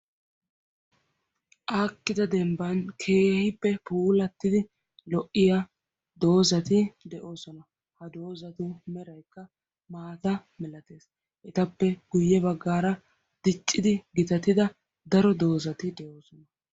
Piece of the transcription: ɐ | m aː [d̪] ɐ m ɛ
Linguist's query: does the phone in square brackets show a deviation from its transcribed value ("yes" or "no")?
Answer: yes